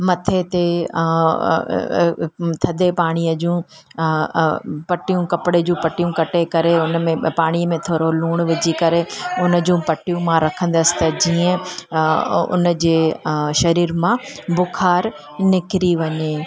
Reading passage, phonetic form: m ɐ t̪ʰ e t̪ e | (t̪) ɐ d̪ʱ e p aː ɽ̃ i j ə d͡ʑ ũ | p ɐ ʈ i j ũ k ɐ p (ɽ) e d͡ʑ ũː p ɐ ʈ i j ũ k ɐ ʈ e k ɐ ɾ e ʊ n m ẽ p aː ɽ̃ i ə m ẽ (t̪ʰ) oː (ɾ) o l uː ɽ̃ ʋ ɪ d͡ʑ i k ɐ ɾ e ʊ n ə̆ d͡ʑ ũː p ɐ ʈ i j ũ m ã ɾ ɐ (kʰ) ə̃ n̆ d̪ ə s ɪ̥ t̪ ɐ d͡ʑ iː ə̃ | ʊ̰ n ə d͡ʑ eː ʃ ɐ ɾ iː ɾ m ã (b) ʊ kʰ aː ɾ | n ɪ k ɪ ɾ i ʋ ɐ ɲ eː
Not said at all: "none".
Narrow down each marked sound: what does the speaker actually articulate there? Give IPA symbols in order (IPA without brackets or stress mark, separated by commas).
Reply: t̪ʰ, ɽ, t̪ʰ, ɾ, kʰ, b